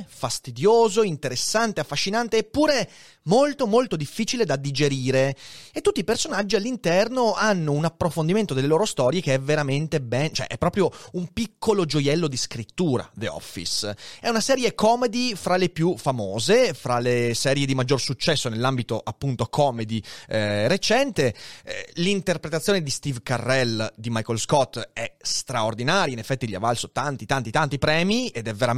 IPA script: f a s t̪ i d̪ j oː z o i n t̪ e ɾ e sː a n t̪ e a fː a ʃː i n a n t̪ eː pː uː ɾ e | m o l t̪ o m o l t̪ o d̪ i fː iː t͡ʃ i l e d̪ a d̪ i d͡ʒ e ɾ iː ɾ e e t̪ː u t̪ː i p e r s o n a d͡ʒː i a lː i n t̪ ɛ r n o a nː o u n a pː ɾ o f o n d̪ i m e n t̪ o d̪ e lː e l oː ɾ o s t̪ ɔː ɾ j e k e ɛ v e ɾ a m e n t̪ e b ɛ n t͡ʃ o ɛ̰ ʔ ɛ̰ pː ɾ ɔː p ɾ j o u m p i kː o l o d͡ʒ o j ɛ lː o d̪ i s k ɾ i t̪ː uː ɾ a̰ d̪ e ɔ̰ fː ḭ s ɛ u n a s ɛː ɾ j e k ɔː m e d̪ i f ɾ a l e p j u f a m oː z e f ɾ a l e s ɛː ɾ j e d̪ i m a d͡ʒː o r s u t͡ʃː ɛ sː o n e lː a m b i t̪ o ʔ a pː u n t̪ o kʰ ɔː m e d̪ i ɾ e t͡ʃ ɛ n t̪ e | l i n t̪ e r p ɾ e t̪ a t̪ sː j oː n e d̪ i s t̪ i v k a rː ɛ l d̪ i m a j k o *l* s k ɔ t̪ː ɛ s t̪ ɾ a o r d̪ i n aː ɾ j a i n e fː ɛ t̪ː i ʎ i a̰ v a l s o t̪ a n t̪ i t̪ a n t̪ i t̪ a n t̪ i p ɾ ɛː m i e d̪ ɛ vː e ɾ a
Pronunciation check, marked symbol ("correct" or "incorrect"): correct